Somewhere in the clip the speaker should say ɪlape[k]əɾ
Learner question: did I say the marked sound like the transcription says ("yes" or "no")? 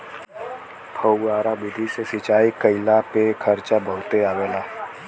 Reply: no